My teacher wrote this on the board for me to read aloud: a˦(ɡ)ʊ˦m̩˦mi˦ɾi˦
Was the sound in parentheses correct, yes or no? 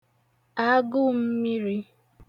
yes